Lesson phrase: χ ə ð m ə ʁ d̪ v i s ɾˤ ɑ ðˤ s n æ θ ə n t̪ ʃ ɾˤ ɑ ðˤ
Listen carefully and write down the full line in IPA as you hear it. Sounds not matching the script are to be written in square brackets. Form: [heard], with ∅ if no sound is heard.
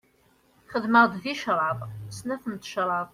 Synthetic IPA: χ ə ð m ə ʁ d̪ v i [ʃ] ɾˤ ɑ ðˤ s n æ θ ə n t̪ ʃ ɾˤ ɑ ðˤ